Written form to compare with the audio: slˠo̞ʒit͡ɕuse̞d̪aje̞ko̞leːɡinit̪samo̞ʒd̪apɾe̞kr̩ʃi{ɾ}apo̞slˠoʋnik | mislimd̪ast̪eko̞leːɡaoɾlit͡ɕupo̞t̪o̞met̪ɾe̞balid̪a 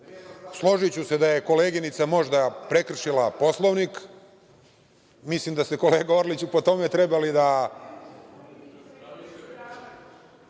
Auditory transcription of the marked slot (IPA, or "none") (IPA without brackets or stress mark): l